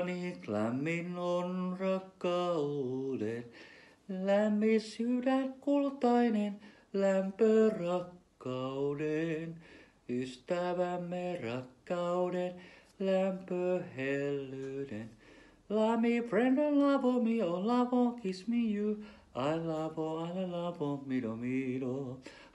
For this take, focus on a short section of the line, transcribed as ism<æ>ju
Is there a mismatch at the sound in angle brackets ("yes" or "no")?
yes